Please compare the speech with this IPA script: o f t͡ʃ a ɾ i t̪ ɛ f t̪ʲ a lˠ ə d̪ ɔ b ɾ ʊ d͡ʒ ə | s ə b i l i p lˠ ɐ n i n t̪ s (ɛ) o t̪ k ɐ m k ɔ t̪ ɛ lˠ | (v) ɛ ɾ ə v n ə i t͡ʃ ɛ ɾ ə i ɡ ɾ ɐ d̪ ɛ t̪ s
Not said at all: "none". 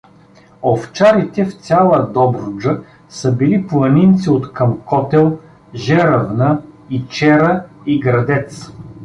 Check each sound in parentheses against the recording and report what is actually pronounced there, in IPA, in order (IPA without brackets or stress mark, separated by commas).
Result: i, ʒ